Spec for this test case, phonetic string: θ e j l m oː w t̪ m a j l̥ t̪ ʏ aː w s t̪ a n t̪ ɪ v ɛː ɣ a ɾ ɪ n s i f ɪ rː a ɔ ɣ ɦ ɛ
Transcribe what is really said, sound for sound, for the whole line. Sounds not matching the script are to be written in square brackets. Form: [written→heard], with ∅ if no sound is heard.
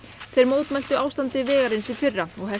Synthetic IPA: θ e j [l→ɾ] m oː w t̪ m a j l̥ t̪ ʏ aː w s t̪ a n t̪ ɪ v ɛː ɣ a ɾ ɪ n s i f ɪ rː a ɔ ɣ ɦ ɛ